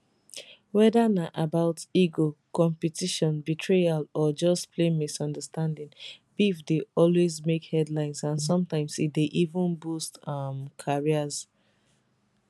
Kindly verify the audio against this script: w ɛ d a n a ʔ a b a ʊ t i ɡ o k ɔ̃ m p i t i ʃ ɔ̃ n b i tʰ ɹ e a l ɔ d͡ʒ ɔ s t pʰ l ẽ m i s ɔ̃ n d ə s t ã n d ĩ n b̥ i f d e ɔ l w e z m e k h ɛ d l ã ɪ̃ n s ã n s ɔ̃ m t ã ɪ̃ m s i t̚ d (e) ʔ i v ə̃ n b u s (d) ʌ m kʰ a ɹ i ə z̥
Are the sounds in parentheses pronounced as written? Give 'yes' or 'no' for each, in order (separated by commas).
yes, no